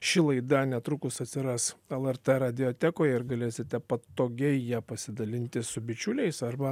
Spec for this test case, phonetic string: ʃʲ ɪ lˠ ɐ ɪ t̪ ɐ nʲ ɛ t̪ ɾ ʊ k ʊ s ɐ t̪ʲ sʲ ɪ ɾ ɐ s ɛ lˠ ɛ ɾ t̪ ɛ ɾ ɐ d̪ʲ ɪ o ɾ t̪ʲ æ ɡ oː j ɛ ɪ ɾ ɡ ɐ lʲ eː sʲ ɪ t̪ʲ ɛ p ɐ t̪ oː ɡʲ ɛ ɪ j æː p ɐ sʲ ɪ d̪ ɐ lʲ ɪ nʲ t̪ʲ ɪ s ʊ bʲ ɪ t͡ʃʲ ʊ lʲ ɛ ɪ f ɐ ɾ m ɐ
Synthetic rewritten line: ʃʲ ɪ lˠ ɐ ɪ d̪ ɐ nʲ ɛ t̪ ɾ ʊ k ʊ s ɐ t̪ʲ sʲ ɪ ɾ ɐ s ɛ lˠ ɛ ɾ t̪ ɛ ɾ ɐ d̪ʲ ɪ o t̪ʲ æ k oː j ɛ ɪ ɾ ɡ ɐ lʲ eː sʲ ɪ t̪ʲ ɛ p ɐ t̪ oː ɡʲ ɛ ɪ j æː p ɐ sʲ ɪ d̪ ɐ lʲ ɪ nʲ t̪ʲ ɪ s ʊ bʲ ɪ t͡ʃʲ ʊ lʲ ɛ ɪ s ɐ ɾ b ɐ